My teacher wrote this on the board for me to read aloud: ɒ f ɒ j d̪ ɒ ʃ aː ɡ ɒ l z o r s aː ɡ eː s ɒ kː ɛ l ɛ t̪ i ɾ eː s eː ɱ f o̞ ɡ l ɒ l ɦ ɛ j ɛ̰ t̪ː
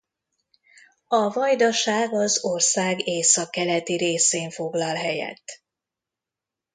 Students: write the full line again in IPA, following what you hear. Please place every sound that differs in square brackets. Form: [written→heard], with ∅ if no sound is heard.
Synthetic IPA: ɒ [f→v] ɒ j d̪ ɒ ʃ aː ɡ ɒ [l→∅] z o r s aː ɡ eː s ɒ kː ɛ l ɛ t̪ i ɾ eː s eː ɱ f o̞ ɡ l ɒ l ɦ ɛ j ɛ̰ t̪ː